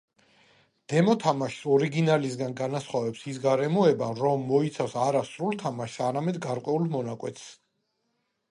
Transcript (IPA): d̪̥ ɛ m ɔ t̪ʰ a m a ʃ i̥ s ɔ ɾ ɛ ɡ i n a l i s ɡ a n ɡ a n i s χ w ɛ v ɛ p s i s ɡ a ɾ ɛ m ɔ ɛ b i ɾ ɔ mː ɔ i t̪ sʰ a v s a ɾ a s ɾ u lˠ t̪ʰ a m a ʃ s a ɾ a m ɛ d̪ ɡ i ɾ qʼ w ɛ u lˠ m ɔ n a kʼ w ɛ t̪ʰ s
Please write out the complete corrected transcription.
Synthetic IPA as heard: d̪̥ ɛ m ɔ t̪ʰ a m a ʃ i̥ s ɔ ɾ i ɡ i n a l i s ɡ a n ɡ a n a s χ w a v ɛ p s i s ɡ a ɾ ɛ m ɔ ɛ b a ɾ ɔ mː ɔ i t̪ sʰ a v s a ɾ a s ɾ u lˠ t̪ʰ a m a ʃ s a ɾ a m ɛ d̪ ɡ a ɾ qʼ w ɛ u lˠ m ɔ n a kʼ w ɛ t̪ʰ s